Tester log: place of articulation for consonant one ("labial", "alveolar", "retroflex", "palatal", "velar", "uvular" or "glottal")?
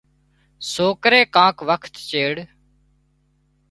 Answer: alveolar